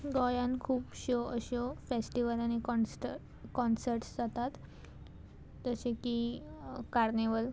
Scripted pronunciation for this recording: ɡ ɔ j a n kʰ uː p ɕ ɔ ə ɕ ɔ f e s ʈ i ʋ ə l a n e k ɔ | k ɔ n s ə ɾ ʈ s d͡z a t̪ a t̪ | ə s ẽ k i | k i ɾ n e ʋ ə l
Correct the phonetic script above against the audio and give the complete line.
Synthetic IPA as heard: ɡ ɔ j a n kʰ uː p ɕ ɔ ə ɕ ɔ f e s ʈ i ʋ ə l a n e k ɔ | k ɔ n s ə ɾ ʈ s d͡z a t̪ a t̪ | ə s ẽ k i | k a ɾ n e ʋ ə l